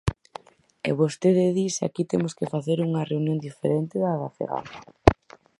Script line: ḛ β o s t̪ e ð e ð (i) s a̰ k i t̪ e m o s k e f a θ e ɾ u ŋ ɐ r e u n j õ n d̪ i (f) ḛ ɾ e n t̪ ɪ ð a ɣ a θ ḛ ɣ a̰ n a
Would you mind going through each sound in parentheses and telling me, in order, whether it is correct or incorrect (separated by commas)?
correct, correct